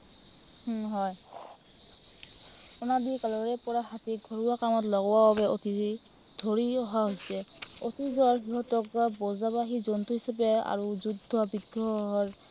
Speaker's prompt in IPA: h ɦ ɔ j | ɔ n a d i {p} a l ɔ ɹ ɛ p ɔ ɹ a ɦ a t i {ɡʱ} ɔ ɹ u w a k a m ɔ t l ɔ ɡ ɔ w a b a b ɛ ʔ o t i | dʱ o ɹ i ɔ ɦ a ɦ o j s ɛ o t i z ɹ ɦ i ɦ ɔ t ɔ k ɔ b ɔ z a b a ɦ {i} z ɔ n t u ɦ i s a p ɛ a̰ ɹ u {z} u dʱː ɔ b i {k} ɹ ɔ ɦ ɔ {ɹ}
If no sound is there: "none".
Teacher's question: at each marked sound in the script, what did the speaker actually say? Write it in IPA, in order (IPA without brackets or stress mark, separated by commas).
k, ɡʱ, i, z, ɡ, ɹ